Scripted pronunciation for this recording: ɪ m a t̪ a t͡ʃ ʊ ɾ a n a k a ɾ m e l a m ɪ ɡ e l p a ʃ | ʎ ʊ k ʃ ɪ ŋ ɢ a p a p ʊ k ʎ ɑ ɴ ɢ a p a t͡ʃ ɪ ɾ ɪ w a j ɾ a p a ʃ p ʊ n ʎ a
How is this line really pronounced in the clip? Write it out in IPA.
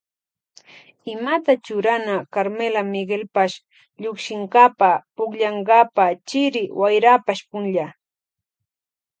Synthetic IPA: ɪ m a t̪ a t͡ʃ ʊ ɾ a n a k a ɾ m e l a m ɪ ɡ e l p a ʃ | ʎ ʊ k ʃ ɪ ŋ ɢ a p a p ʊ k ʎ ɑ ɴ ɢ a p a t͡ʃ ɪ ɾ ɪ w a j ɾ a p a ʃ p ʊ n ʎ a

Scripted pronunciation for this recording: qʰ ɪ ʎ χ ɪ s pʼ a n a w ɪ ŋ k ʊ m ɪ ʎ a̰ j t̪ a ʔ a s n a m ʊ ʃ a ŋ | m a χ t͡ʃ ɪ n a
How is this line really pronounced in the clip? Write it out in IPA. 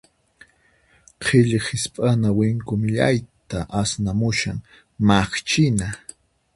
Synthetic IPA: qʰ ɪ ʎ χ ɪ s pʼ a n a w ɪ ŋ k ʊ m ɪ ʎ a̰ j t̪ a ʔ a s n a m ʊ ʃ a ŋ | m a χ t͡ʃ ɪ n a

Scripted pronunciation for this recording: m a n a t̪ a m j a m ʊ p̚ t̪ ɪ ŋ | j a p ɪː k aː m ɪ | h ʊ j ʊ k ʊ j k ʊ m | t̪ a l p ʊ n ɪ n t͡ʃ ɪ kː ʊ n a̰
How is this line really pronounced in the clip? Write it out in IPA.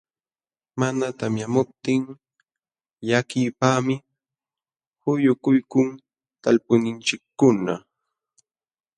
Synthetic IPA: m a n a t̪ a m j a m ʊ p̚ t̪ ɪ ŋ | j a k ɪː p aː m ɪ | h ʊ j ʊ k ʊ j k ʊ ŋ | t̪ a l p ʊ n ɪ n t͡ʃ ɪ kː ʊ n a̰

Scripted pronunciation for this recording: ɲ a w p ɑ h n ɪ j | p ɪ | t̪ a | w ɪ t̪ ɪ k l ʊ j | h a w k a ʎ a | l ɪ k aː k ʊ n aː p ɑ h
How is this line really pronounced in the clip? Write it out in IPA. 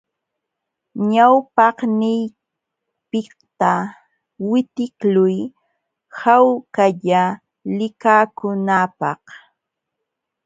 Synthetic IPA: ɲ a w p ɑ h n ɪ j | p ɪ | t̪ a | w ɪ t̪ ɪ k l ʊ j | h a w k a ʎ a | l ɪ k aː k ʊ n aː p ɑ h

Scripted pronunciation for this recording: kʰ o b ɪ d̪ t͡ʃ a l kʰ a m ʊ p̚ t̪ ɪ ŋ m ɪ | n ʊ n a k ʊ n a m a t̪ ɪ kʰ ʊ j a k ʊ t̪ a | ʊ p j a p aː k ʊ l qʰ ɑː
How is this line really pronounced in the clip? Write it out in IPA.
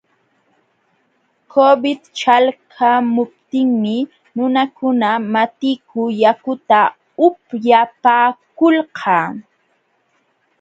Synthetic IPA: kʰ o b ɪ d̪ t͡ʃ a l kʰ a m ʊ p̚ t̪ ɪ ŋ m ɪ | n ʊ n a k ʊ n a m a t̪ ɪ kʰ ʊ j a k ʊ t̪ a | ʊ p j a p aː k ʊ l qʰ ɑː

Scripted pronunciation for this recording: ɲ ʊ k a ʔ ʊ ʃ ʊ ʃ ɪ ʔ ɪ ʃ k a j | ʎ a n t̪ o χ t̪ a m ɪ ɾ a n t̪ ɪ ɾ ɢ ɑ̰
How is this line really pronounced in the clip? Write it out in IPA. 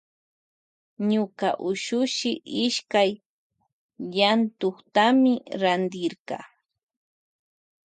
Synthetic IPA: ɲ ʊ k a ʔ ʊ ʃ ʊ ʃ ɪ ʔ ɪ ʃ k a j | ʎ a n t̪ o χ t̪ a m ɪ ɾ a n d̪ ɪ ɾ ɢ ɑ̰

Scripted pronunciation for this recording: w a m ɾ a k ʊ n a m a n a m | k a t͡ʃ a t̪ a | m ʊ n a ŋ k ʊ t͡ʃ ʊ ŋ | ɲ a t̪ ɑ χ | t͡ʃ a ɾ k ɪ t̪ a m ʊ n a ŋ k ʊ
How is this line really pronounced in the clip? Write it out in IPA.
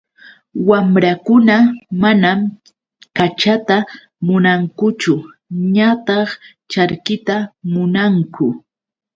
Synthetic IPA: w a m ɾ a k ʊ n a m a n a m | k a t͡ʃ a t̪ a | m ʊ n a ŋ k ʊ t͡ʃ ʊ | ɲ a t̪ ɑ χ | t͡ʃ a ɾ k ɪ t̪ a m ʊ n a ŋ k ʊ

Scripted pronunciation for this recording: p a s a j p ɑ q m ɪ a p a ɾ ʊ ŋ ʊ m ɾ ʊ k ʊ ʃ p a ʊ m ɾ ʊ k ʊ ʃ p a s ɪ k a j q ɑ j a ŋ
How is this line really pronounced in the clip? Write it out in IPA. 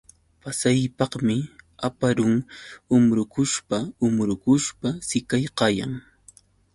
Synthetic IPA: p a s a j p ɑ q m ɪ a p a ɾ ʊ ŋ ʊ m ɾ ʊ k ʊ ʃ p a ʊ m ɾ ʊ k ʊ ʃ p a s ɪ k a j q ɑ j a ŋ

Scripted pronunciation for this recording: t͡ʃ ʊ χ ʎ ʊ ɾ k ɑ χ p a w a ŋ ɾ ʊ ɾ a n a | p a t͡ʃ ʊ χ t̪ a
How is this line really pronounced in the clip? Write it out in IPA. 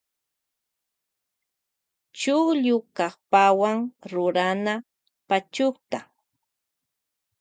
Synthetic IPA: t͡ʃ ʊ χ ʎ ʊ k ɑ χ p a w a ŋ ɾ ʊ ɾ a n a | p a t͡ʃ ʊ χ t̪ a

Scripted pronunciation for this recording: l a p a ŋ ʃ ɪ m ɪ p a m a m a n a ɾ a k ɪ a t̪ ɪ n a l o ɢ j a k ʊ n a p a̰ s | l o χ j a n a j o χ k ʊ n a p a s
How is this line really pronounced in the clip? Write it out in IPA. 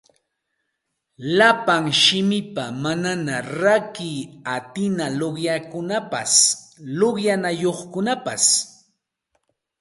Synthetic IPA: l a p a ŋ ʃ ɪ m ɪ p a m a n a n a ɾ a k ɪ a t̪ ɪ n a l o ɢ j a k ʊ n a p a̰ s | l o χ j a n a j o χ k ʊ n a p a s

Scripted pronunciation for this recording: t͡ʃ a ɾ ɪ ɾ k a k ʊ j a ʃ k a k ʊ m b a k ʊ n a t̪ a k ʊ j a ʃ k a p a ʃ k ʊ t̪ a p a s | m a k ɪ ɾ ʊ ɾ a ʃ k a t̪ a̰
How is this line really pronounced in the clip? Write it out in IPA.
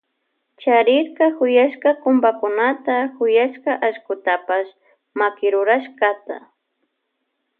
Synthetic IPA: t͡ʃ a ɾ ɪ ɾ k a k ʊ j a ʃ k a k ʊ m b a k ʊ n a t̪ a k ʊ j a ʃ k a ʔ a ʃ k ʊ t̪ a p a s | m a k ɪ ɾ ʊ ɾ a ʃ k a t̪ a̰

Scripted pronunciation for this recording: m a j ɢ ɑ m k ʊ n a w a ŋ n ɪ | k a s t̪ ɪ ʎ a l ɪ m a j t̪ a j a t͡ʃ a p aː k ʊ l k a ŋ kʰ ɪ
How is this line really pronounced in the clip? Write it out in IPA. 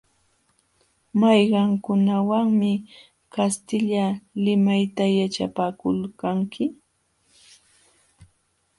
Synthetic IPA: m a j ɢ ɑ ŋ k ʊ n a w a ŋ m ɪ | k a s t̪ ɪ ʎ a l ɪ m a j t̪ a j a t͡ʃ a p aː k ʊ l k a ŋ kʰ ɪ

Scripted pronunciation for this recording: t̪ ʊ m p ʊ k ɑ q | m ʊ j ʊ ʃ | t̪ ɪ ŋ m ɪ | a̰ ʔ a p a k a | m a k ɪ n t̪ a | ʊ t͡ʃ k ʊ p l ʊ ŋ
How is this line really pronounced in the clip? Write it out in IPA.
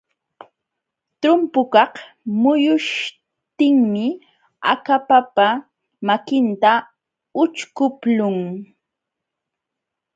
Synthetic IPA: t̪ ʊ m p ʊ k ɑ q | m ʊ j ʊ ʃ | t̪ ɪ ŋ m ɪ | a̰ k a p a p a | m a k ɪ n t̪ a | ʊ t͡ʃ k ʊ p l ʊ ŋ

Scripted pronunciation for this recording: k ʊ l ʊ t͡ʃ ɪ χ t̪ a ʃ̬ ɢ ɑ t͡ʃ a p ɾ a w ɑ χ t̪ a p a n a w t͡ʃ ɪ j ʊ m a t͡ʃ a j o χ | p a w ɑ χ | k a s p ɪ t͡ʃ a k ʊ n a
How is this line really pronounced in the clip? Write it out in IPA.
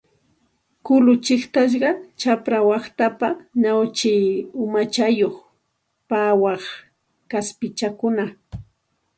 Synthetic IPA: k ʊ l ʊ t͡ʃ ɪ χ t̪ a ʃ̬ ɢ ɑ t͡ʃ a p ɾ a w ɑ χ t̪ a p a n a w t͡ʃ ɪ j ʊ m a t͡ʃ a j o χ | p a w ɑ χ | k a s p ɪ t͡ʃ a k ʊ n a

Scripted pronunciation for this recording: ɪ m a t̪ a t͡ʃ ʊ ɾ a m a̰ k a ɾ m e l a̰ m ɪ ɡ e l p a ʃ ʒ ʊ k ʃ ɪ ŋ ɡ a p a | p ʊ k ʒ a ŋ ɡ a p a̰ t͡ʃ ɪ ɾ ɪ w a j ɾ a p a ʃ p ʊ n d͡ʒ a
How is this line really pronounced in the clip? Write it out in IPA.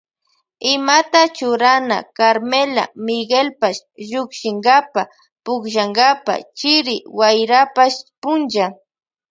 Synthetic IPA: ɪ m a t̪ a t͡ʃ ʊ ɾ a n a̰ k a ɾ m e l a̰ m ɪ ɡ e l p a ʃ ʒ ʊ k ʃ ɪ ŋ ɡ a p a | p ʊ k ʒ a ŋ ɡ a p a̰ t͡ʃ ɪ ɾ ɪ w a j ɾ a p a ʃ p ʊ n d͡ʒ a

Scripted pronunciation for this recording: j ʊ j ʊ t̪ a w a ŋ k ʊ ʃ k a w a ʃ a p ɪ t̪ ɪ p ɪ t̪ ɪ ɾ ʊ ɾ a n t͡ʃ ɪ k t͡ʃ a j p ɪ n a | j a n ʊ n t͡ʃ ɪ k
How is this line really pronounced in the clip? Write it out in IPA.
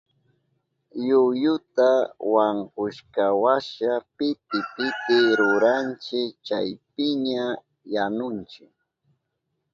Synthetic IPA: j ʊ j ʊ t̪ a w a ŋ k ʊ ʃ k a w a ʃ a p ɪ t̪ ɪ p ɪ t̪ ɪ ɾ ʊ ɾ a n t͡ʃ ɪ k t͡ʃ a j p ɪ ɲ a | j a n ʊ n t͡ʃ ɪ k

